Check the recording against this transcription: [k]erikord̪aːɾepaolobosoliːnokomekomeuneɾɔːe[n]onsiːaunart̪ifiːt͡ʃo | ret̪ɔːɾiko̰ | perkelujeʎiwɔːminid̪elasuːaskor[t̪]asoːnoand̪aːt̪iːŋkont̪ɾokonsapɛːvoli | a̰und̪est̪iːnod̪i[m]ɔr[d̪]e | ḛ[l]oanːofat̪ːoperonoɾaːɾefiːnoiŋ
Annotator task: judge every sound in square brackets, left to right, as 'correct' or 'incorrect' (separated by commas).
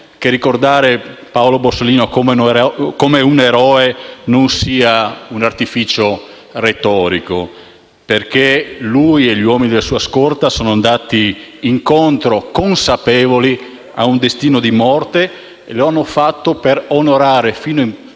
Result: correct, correct, correct, correct, incorrect, correct